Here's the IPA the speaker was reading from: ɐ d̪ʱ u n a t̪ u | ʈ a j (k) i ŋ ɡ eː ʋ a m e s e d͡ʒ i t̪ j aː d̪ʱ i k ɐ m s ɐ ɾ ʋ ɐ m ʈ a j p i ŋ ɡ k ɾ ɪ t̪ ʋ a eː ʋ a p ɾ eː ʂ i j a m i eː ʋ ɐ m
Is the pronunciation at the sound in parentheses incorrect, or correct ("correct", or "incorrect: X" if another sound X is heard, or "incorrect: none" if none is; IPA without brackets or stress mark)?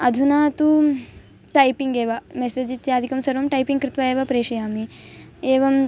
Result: incorrect: p